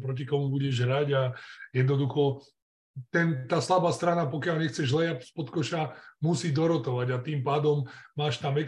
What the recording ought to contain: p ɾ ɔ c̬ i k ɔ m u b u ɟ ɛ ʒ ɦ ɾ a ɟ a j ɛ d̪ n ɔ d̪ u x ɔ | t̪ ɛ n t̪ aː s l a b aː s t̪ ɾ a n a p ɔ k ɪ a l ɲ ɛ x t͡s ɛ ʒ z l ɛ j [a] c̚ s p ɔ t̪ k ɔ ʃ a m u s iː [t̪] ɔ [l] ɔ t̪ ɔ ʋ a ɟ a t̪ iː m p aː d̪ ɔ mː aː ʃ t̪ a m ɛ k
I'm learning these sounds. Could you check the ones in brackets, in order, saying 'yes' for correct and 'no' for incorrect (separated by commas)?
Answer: yes, no, no